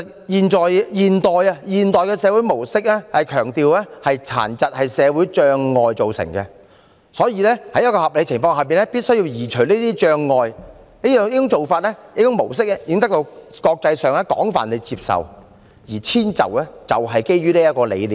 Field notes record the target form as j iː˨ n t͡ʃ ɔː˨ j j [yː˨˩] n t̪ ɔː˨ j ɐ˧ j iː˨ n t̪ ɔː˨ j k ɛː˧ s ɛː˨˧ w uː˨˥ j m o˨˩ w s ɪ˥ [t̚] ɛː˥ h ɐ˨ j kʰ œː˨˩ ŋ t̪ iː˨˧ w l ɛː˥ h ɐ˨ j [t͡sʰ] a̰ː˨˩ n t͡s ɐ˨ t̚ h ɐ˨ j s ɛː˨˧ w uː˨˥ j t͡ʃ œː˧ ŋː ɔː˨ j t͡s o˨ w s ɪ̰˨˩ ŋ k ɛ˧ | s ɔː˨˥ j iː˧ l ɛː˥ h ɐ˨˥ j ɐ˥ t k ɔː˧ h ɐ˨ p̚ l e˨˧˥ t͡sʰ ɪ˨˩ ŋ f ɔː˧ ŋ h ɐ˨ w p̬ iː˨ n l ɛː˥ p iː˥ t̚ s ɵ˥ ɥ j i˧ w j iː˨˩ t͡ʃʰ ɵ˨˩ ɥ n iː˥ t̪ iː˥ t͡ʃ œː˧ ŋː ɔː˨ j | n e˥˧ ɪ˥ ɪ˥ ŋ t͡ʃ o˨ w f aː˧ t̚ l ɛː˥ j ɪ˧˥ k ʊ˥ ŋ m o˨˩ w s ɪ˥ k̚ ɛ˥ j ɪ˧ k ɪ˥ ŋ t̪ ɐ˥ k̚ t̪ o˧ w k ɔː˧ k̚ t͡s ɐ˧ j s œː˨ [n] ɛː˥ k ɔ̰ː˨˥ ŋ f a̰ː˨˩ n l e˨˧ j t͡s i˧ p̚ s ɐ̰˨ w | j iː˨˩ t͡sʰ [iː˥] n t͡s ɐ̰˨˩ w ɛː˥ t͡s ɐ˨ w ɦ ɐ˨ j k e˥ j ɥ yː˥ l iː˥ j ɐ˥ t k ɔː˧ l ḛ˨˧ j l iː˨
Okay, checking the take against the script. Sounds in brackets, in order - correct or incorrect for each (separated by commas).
incorrect, incorrect, correct, incorrect, correct